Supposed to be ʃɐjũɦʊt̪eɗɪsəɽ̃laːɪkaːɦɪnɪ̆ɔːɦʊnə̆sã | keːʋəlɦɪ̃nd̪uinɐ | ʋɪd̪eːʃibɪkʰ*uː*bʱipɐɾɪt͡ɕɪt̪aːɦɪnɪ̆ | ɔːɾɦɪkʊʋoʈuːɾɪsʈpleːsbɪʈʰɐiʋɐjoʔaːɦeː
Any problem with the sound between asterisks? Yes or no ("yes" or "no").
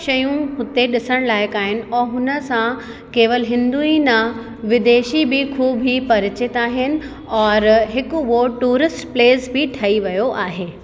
no